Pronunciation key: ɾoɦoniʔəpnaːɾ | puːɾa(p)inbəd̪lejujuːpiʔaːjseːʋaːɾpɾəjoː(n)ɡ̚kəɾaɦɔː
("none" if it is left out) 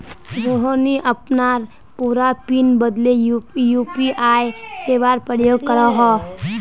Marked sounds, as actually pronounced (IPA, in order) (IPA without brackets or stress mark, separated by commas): p, none